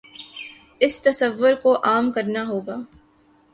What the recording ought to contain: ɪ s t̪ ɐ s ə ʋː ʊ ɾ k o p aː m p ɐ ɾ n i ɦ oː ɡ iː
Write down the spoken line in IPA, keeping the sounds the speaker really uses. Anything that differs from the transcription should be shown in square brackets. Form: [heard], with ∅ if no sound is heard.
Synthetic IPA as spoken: ɪ s t̪ ɐ s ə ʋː ʊ ɾ k o [ʔ] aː m [k] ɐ ɾ n [a] ɦ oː ɡ [aː]